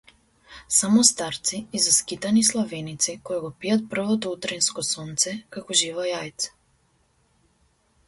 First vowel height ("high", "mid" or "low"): low